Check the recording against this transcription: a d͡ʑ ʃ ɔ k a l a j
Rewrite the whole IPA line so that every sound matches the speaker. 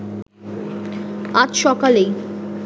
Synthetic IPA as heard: a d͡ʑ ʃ ɔ k a l e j